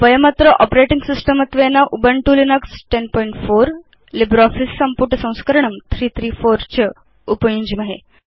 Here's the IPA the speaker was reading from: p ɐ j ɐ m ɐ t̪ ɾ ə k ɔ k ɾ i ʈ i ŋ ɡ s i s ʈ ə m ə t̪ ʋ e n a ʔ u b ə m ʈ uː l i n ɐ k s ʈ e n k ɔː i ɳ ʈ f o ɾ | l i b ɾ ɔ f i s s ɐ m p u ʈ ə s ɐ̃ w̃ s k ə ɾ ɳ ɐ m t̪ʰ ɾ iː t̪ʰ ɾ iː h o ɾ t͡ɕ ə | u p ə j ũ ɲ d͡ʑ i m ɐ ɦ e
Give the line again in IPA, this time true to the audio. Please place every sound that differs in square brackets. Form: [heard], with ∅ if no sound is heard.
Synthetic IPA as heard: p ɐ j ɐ m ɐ t̪ ɾ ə [ʔ] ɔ [p] ɾ [e] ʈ i ŋ ɡ s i s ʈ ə m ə t̪ ʋ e n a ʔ u b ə [ɳ] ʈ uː l i n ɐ k s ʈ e n [p] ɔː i ɳ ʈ f o ɾ | l i b ɾ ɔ f i s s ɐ m p u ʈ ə s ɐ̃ w̃ s k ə ɾ ɳ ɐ m t̪ʰ ɾ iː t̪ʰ ɾ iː [f] o ɾ t͡ɕ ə | u p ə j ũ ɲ d͡ʑ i m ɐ ɦ e

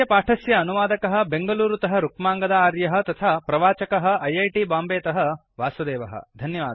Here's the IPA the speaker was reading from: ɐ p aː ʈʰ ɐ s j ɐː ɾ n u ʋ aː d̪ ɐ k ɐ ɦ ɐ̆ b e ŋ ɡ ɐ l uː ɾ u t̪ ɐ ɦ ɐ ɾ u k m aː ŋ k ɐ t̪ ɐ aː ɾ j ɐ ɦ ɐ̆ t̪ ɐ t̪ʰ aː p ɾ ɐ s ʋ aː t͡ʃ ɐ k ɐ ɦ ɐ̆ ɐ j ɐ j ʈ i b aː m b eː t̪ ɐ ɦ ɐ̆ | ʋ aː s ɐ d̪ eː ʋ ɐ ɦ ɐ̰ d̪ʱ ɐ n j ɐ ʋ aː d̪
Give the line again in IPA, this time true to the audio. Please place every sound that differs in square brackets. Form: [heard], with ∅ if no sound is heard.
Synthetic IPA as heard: ɐ p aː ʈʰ ɐ s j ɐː [∅] n u ʋ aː d̪ ɐ k ɐ ɦ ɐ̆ b e ŋ ɡ ɐ l uː ɾ u t̪ ɐ ɦ ɐ ɾ u k m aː ŋ [ɡ] ɐ [d̪] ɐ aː ɾ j ɐ ɦ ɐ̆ t̪ ɐ t̪ʰ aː p ɾ ɐ [∅] ʋ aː t͡ʃ ɐ k ɐ ɦ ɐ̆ ɐ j ɐ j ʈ i b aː m b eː t̪ ɐ ɦ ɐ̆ | ʋ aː s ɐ d̪ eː ʋ ɐ ɦ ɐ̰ d̪ʱ ɐ n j ɐ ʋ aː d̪

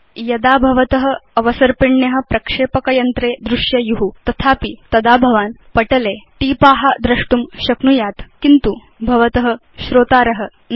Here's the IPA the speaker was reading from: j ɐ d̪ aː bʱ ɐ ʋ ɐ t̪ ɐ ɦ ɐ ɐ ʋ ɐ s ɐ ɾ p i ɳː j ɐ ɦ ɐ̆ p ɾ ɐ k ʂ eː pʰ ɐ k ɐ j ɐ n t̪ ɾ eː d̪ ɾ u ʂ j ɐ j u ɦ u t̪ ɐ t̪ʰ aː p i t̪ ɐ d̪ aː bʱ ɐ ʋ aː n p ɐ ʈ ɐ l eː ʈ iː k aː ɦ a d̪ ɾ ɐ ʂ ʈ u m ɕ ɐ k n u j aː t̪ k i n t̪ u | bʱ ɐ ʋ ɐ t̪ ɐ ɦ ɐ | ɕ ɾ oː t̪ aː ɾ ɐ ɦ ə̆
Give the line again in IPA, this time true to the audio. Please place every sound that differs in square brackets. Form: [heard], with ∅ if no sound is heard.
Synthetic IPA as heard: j ɐ d̪ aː bʱ ɐ ʋ ɐ t̪ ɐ ɦ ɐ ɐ ʋ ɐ s ɐ ɾ p i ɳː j ɐ ɦ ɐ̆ p ɾ ɐ k ʂ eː [p] ɐ k ɐ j ɐ n t̪ ɾ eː d̪ ɾ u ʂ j ɐ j u ɦ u t̪ ɐ t̪ʰ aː p i t̪ ɐ d̪ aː bʱ ɐ ʋ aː n p ɐ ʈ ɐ l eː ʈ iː [p] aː ɦ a d̪ ɾ ɐ ʂ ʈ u m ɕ ɐ k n u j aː t̪ k i n t̪ u | bʱ ɐ ʋ ɐ t̪ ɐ ɦ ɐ | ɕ ɾ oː t̪ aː ɾ ɐ ɦ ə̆

